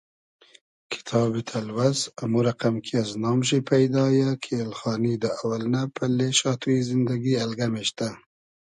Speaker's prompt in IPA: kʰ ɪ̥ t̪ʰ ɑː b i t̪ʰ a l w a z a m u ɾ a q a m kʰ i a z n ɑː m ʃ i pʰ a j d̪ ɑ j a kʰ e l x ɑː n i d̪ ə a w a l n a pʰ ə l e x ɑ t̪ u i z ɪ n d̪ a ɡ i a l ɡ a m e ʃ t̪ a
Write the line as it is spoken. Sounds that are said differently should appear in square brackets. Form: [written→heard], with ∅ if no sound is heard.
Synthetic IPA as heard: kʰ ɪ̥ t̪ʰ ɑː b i t̪ʰ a l w a z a m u ɾ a q a m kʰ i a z n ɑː m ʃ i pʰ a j d̪ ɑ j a kʰ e l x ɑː n i d̪ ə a w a l n a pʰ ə l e [x→ʃ] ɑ t̪ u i z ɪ n d̪ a ɡ i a l ɡ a m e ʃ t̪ a